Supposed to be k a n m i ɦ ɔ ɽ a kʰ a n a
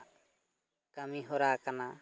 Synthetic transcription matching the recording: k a m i ɦ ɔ ɾ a k a n a

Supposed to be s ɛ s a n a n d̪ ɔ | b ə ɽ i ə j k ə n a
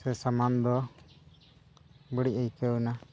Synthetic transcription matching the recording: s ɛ s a m a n d̪ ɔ | b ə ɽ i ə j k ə n a

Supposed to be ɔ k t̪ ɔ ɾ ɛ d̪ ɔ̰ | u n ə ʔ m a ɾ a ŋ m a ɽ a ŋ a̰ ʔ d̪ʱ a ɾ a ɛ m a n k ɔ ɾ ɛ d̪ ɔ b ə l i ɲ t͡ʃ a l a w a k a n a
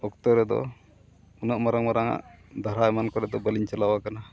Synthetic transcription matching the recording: ɔ k t̪ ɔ ɾ ɛ d̪ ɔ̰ | u n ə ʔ m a ɾ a ŋ m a ɾ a ŋ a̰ ʔ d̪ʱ a ɾ a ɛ m a n k ɔ ɾ ɛ d̪ ɔ b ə l i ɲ t͡ʃ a l a w a k a n a

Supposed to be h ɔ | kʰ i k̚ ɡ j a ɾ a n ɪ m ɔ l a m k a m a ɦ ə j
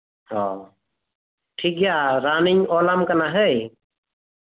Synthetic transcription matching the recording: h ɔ | ʈʰ i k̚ ɡ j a ɾ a n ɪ ɲ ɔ l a m k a n a ɦ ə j

